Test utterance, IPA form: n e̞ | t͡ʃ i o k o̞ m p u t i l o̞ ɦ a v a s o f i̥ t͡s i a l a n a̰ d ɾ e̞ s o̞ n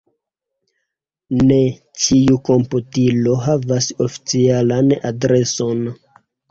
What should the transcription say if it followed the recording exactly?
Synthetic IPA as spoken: n e̞ | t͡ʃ i u k o̞ m p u t i l o̞ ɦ a v a s o f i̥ t͡s i a l a n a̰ d ɾ e̞ s o̞ n